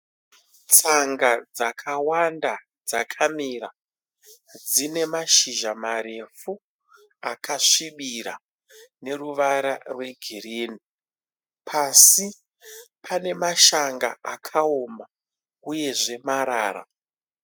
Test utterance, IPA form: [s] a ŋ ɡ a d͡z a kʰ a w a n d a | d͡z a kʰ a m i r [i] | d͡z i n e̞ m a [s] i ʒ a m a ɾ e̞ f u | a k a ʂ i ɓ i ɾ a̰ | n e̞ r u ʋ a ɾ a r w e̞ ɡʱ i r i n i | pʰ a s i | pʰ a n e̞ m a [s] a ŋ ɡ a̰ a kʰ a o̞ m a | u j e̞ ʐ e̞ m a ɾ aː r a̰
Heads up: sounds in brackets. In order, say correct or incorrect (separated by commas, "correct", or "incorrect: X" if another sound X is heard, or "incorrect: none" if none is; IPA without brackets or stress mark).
incorrect: t͡s, incorrect: a, incorrect: ʃ, incorrect: ʃ